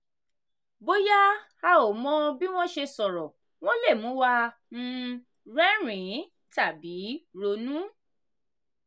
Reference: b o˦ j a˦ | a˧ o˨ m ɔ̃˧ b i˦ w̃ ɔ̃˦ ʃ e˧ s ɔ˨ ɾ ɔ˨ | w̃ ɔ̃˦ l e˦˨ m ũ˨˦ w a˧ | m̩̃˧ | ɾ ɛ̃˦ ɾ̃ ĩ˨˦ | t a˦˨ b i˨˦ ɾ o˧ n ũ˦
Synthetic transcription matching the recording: b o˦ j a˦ | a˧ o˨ m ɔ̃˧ b i˦ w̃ ɔ̃˦ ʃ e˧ s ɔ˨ ɾ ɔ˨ | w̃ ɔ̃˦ l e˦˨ m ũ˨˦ w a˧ | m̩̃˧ | ɾ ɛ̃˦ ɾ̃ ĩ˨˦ | t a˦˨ b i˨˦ ɾ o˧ n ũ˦